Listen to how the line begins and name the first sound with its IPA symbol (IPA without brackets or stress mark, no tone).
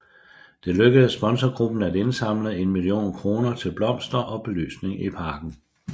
d̥